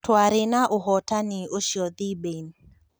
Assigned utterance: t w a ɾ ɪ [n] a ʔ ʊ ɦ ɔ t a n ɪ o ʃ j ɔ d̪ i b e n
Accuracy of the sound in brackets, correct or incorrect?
correct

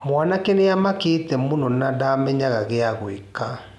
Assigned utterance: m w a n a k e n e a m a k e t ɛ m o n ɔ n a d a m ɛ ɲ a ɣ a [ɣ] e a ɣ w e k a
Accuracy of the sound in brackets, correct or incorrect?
correct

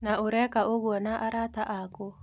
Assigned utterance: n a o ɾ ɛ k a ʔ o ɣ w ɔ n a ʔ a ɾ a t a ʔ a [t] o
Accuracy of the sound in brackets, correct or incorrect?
incorrect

